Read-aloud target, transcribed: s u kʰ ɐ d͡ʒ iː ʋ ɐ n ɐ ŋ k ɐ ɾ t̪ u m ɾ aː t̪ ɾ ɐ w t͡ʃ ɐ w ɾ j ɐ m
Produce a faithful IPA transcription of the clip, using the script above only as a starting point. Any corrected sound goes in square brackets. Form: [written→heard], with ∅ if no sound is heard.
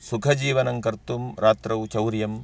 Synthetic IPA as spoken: s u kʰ ɐ d͡ʒ iː ʋ ɐ n ɐ ŋ k ɐ ɾ t̪ u m ɾ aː t̪ ɾ ɐ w t͡ʃ ɐ w ɾ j ɐ m